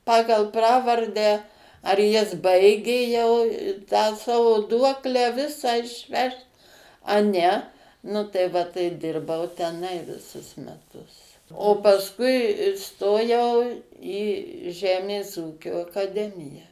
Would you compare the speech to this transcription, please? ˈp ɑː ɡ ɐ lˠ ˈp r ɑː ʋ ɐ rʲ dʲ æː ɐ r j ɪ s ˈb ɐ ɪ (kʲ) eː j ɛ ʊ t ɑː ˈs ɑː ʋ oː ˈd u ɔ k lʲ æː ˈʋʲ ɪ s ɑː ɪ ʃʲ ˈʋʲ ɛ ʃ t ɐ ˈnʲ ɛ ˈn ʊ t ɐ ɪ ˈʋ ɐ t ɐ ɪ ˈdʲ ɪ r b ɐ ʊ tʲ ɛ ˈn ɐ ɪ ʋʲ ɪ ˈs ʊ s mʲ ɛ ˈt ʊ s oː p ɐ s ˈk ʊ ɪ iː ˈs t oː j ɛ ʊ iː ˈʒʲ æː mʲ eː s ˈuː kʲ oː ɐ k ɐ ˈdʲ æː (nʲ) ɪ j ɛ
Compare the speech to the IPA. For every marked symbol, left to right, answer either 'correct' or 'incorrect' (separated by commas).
incorrect, incorrect